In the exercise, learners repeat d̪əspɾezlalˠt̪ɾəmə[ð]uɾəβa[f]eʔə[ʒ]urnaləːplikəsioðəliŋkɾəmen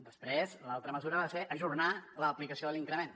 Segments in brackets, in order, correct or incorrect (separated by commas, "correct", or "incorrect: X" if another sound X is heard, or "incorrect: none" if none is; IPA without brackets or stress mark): incorrect: z, incorrect: s, correct